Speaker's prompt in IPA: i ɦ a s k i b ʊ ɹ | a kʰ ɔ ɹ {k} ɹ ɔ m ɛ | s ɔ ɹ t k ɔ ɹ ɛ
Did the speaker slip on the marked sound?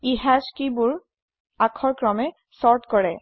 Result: no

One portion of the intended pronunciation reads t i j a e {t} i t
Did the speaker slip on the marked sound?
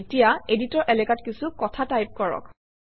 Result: yes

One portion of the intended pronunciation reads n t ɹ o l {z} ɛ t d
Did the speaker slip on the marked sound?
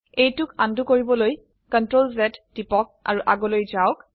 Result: no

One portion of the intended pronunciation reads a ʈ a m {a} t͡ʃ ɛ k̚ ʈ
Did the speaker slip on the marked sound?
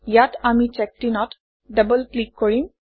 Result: yes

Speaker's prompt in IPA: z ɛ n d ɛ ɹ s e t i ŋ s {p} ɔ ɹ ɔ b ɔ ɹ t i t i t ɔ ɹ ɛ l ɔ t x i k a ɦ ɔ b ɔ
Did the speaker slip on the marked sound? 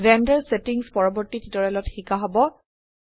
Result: no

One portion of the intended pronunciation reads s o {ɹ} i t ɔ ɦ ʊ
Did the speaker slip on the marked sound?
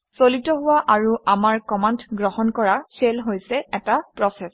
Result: yes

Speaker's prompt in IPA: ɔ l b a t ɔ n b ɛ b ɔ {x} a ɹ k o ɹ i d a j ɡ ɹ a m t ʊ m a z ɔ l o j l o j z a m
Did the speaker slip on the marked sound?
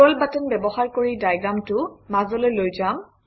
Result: no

